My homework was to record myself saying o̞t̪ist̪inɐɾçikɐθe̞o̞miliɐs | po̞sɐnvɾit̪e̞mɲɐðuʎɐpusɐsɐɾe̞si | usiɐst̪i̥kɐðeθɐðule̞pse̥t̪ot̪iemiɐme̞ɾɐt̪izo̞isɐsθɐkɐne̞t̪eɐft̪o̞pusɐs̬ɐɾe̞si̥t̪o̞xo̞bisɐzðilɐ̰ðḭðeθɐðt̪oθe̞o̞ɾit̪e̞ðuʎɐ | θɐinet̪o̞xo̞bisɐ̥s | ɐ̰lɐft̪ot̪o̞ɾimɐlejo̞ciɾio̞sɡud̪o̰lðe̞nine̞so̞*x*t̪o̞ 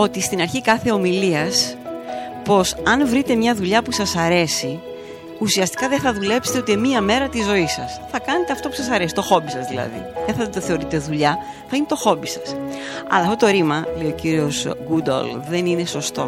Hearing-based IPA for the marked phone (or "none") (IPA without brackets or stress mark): s